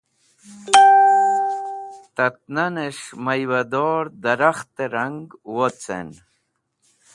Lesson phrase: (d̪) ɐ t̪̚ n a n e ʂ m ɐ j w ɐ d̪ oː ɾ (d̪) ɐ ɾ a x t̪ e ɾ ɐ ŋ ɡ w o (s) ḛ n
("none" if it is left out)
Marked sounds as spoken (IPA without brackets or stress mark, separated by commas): t̪, d̪, t͡s